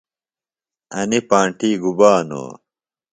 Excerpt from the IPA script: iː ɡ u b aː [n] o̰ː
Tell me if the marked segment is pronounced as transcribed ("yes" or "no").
yes